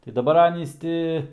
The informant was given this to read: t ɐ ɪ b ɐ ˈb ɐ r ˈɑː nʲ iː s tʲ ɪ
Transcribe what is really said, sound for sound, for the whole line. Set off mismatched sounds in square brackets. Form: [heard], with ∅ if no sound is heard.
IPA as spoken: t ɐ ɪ [d] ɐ ˈb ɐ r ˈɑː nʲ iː s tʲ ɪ